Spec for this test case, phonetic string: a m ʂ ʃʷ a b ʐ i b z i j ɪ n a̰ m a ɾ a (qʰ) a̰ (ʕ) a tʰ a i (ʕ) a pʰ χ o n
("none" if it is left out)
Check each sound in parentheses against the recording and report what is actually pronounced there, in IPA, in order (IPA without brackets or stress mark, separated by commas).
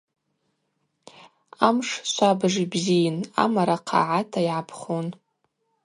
qʰ, ʕ, ʕ